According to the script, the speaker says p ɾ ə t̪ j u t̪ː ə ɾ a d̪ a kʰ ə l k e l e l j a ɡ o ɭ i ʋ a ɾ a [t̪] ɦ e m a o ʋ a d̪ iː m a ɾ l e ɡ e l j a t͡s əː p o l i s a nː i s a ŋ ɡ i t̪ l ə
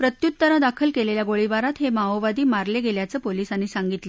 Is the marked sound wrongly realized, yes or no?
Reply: no